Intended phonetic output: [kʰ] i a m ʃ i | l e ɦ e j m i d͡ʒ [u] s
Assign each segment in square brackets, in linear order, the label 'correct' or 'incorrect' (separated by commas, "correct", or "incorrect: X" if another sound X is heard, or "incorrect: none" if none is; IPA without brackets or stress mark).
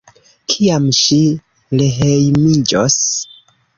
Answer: correct, incorrect: o